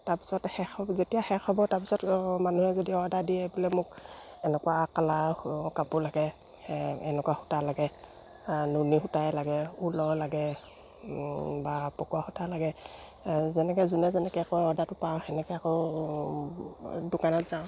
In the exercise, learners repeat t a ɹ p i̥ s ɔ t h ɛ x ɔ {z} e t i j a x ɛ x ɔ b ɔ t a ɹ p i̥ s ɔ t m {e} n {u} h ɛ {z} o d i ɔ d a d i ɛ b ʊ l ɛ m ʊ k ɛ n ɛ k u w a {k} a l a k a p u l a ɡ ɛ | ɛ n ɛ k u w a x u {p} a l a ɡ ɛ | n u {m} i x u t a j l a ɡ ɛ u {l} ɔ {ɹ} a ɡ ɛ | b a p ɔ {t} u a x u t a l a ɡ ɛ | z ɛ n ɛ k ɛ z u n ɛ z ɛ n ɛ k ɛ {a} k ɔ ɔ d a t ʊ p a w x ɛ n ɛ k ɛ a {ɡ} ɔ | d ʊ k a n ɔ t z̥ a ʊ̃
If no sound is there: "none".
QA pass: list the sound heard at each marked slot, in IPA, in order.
z, a, u, z, k, t, n, l, l, k, a, k

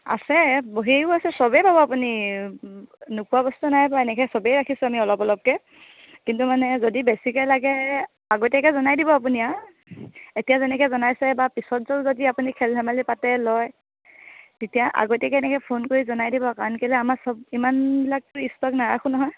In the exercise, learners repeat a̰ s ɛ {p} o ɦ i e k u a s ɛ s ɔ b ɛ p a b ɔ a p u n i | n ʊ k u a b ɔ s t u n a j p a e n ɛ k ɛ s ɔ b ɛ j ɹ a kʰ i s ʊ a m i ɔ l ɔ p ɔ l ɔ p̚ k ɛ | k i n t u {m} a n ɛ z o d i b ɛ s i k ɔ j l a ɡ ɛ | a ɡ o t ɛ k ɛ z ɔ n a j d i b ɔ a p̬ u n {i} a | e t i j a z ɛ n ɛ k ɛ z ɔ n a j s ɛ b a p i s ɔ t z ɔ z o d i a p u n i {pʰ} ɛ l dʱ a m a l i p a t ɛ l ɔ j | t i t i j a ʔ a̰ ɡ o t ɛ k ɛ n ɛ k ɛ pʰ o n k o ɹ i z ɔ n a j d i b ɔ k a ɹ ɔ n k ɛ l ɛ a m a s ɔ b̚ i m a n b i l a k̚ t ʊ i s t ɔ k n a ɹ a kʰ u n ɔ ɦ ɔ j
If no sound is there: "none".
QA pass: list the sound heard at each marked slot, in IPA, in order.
b, m, i, kʰ

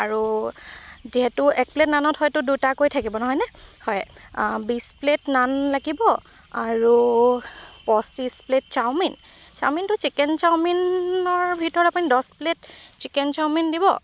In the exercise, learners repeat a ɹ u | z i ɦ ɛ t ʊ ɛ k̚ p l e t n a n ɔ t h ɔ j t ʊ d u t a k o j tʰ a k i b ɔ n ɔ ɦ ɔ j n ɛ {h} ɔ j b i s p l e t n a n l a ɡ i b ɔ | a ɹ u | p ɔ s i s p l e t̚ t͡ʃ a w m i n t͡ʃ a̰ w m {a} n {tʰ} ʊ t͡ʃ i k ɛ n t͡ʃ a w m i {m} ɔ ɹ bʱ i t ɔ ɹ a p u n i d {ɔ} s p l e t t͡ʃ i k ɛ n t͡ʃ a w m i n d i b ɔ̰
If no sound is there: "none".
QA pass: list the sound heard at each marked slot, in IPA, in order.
h, i, t, n, ɔ

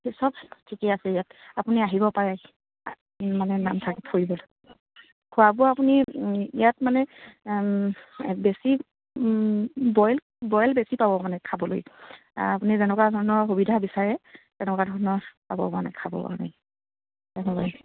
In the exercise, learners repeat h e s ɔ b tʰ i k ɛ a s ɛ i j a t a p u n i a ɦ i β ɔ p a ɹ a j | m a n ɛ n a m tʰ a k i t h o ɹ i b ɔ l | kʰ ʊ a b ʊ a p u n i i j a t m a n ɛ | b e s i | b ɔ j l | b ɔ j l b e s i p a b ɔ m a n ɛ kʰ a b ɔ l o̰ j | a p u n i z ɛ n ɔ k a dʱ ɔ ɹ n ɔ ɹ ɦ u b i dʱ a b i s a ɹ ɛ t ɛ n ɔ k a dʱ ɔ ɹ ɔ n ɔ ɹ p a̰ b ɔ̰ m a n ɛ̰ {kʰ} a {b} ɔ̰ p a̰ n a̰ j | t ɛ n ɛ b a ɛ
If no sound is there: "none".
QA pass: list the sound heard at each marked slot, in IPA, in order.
kʰ, b

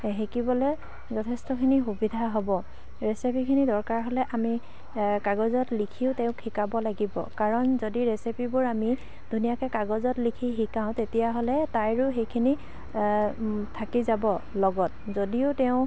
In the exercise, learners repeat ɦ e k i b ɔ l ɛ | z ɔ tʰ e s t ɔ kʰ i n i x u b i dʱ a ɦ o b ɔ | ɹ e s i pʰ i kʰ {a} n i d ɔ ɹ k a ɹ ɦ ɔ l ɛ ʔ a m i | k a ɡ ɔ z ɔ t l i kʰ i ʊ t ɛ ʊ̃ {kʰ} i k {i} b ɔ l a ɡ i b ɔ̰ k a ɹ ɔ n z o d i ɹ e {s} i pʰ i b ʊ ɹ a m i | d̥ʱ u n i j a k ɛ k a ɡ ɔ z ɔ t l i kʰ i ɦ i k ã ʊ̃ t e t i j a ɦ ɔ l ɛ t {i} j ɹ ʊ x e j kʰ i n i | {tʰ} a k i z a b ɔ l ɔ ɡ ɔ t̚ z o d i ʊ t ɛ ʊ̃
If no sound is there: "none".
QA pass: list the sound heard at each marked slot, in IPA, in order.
i, kʰ, a, s, a, tʰ

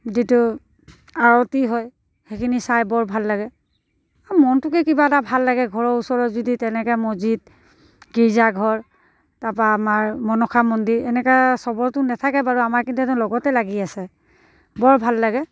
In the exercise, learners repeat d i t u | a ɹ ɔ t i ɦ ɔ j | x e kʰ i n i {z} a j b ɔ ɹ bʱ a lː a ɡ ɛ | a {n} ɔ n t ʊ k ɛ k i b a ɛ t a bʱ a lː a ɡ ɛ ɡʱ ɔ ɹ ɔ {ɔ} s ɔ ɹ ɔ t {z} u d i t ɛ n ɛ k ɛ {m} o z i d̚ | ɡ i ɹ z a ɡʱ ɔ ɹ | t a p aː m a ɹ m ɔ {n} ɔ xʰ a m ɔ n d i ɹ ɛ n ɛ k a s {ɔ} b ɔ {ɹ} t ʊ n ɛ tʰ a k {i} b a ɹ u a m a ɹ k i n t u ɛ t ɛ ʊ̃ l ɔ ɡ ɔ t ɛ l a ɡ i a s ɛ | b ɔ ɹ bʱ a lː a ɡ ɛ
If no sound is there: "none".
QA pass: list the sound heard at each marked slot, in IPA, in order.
s, m, u, z, m, n, ɔ, ɹ, ɛ

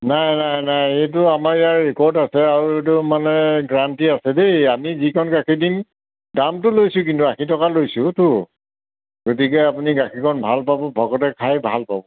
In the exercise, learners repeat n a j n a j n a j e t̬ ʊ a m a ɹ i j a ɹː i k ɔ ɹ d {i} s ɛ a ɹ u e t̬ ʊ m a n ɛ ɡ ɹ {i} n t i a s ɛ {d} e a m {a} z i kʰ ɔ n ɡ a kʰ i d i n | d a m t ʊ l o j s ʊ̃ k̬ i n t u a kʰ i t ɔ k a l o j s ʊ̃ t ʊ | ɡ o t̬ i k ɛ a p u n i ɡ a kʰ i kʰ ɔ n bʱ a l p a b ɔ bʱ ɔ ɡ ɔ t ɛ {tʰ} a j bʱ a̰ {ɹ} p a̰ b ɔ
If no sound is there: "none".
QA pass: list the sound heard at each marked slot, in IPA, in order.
a, a, d, i, kʰ, l

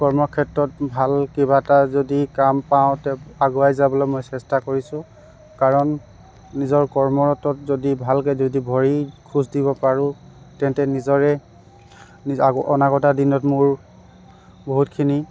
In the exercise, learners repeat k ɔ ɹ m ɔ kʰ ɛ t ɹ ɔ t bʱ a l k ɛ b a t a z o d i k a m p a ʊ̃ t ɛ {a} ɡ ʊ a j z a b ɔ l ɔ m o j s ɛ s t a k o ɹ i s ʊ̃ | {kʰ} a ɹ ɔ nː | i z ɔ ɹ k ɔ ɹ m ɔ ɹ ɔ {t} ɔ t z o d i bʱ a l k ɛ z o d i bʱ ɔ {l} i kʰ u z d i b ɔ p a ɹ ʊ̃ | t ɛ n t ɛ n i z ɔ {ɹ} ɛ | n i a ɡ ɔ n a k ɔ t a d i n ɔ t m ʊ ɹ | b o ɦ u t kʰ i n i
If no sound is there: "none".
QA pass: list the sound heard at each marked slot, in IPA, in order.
a, k, t, ɹ, ɹ

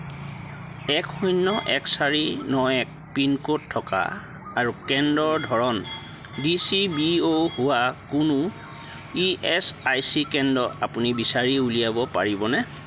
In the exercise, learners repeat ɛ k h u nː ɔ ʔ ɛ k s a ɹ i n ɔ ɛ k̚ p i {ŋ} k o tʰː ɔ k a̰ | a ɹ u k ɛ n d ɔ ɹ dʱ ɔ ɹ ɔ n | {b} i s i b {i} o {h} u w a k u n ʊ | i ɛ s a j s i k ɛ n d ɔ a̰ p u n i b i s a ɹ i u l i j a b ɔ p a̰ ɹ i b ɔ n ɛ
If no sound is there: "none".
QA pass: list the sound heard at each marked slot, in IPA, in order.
n, d, i, h

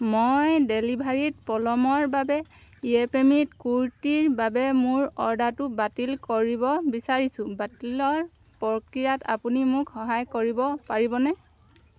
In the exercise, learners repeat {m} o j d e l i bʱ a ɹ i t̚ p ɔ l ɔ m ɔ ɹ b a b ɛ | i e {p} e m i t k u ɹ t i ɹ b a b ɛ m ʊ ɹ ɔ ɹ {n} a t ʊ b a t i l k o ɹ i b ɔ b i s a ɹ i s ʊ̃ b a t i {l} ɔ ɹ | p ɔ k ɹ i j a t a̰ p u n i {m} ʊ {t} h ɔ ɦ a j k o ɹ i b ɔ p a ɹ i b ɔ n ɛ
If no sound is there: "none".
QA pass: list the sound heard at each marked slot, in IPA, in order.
m, p, d, l, m, k

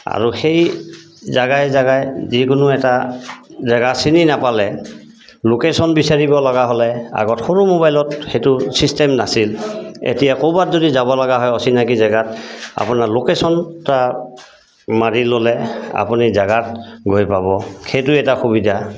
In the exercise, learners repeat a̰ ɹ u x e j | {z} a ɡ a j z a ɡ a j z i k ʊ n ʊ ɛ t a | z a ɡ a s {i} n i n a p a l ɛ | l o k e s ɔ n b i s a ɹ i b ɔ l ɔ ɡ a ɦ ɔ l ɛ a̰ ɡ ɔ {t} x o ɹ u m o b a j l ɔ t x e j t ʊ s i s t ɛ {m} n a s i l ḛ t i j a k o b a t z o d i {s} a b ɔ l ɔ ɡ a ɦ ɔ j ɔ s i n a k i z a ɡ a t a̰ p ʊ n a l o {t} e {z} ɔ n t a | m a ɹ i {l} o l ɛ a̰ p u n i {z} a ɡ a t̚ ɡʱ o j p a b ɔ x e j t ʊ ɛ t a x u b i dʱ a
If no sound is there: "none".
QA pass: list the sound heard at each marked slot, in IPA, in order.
z, i, t, m, z, k, s, l, z

